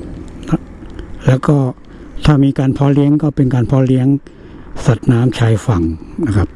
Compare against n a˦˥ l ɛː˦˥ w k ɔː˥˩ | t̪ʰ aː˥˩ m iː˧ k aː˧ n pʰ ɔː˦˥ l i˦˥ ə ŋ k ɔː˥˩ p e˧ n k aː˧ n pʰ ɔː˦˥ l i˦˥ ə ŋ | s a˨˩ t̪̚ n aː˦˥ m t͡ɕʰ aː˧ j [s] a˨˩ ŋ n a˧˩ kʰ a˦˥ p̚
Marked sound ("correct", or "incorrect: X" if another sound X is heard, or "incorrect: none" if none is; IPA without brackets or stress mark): incorrect: f